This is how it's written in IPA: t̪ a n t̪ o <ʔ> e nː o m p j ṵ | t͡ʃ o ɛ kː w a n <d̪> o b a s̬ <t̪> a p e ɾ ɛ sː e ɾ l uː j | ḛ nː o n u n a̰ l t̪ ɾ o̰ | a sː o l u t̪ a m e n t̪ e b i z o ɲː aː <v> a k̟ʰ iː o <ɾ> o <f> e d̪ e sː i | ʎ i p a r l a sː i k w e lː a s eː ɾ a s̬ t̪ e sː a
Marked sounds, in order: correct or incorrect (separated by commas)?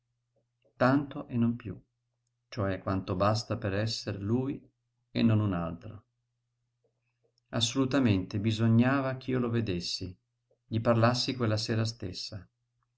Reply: correct, incorrect, correct, correct, incorrect, incorrect